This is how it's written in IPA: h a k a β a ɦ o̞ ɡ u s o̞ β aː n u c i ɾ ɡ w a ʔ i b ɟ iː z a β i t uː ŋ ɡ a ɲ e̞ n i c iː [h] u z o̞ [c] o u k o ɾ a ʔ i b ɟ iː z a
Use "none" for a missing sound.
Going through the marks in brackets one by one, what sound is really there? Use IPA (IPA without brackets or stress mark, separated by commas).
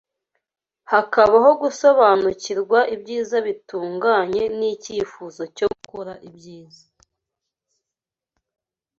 f, c